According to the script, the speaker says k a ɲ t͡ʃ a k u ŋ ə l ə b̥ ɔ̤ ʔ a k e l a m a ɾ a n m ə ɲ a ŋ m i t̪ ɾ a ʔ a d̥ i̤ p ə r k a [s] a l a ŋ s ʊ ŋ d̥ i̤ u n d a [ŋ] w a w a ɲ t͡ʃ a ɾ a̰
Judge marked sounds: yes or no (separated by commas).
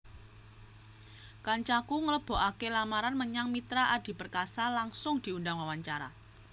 yes, yes